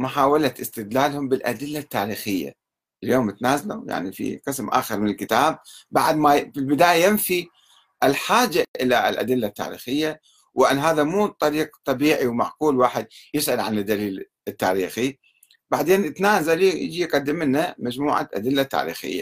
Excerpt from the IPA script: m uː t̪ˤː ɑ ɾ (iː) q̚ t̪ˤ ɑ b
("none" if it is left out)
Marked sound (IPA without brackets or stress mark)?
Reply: iː